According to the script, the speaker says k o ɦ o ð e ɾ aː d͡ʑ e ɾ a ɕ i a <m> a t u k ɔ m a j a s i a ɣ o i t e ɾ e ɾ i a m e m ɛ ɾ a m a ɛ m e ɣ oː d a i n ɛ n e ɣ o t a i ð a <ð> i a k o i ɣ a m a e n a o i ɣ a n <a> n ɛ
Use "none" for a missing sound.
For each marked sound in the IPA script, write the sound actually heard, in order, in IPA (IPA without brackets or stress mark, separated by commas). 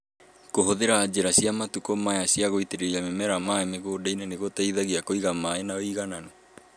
m, ɣ, a